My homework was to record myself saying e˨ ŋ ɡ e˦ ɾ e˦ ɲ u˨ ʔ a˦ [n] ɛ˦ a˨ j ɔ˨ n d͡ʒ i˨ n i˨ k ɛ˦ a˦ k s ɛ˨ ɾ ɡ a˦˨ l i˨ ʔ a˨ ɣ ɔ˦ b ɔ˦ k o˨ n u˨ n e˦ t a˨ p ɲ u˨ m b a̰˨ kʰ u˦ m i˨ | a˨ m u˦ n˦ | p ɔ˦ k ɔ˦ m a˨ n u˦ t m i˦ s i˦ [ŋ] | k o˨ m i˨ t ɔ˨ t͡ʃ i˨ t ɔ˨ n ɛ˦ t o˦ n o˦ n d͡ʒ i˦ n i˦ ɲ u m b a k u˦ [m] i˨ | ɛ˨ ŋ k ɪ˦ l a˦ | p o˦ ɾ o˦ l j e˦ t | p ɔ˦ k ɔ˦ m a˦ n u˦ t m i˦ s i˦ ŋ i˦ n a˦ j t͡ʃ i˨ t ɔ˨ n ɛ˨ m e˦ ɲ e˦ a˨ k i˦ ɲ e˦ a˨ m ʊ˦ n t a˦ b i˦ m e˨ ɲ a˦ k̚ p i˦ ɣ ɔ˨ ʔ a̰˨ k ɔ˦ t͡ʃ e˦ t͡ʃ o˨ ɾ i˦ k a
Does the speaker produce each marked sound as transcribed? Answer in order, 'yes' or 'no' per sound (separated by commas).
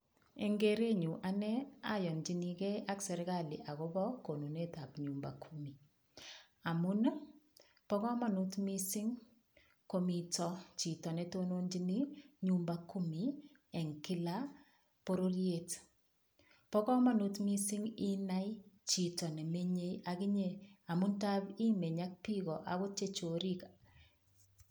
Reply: yes, yes, yes